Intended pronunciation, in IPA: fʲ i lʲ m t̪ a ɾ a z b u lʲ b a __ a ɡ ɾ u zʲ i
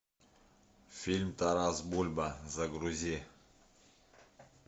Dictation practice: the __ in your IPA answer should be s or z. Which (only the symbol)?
z